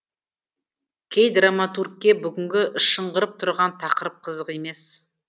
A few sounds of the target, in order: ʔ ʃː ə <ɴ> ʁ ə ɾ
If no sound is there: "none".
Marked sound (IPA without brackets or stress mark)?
ɴ